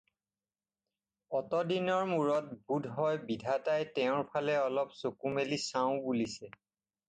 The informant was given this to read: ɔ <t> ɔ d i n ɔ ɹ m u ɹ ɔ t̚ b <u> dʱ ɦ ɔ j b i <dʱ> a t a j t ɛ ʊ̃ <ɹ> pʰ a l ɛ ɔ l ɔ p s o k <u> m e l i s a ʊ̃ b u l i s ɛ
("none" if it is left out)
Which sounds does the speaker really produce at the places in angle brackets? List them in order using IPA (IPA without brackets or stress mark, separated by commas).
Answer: t, u, dʱ, ɹ, u